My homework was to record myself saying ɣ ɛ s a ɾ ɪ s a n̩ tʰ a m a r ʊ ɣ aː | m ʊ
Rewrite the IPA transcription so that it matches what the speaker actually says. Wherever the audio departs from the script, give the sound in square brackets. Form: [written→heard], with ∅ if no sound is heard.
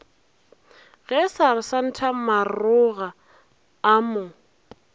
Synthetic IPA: ɣ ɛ s a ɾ ɪ s a n̩ tʰ a m a r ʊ ɣ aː | m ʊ